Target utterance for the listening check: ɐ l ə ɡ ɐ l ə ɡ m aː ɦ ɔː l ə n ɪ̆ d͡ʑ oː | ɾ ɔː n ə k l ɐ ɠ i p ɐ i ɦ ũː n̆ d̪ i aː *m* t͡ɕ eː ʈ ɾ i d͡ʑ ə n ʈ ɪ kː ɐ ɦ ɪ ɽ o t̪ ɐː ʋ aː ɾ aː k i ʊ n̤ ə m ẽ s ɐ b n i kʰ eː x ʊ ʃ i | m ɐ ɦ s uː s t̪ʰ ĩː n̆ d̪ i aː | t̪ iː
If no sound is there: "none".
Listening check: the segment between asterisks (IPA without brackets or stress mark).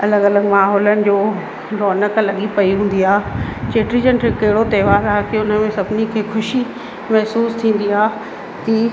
none